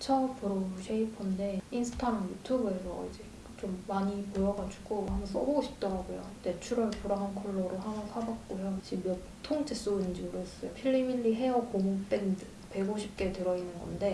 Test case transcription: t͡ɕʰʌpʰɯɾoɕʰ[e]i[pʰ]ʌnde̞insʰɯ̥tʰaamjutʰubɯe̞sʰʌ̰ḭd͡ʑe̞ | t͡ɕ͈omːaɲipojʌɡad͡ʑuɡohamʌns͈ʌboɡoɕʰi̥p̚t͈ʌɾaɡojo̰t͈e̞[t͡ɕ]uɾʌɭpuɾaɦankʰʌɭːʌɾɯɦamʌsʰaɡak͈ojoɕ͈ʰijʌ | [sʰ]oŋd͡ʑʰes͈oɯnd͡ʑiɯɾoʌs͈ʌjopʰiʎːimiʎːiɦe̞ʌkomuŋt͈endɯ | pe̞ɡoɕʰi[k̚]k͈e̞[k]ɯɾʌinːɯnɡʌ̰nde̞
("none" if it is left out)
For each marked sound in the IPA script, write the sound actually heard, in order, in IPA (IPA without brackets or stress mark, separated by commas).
e, pʰ, t͡ɕʰ, tʰ, p̚, t